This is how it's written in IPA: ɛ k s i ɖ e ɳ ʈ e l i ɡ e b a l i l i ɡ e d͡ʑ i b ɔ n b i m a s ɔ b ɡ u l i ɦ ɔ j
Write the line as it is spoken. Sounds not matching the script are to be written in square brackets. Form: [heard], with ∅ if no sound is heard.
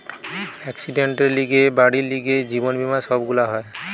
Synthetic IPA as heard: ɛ k s i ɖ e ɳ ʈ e l i ɡ e b a [ɽ] i l i ɡ e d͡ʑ i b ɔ n b i m a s ɔ b ɡ u l [a] ɦ ɔ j